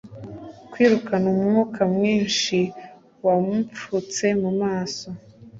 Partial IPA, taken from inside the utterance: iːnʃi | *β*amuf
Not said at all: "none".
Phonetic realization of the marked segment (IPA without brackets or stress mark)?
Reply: w